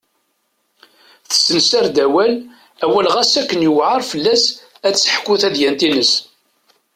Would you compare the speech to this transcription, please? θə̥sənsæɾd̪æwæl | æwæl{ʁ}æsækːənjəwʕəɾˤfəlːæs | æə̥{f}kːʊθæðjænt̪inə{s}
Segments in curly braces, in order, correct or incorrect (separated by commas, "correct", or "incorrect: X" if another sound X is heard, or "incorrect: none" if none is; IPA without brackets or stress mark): correct, incorrect: ħ, correct